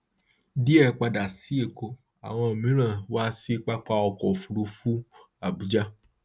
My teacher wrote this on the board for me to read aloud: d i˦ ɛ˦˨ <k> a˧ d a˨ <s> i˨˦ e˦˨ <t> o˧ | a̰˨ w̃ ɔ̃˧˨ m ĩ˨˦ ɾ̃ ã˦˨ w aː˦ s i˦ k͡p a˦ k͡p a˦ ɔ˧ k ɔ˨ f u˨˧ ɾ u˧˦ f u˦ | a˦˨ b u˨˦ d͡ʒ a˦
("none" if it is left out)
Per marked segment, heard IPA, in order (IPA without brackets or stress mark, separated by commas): k͡p, s, k